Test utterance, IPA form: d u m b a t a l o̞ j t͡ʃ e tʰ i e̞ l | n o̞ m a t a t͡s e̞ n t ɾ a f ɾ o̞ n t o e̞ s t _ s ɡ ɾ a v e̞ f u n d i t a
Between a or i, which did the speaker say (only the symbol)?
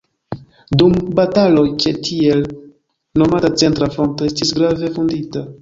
i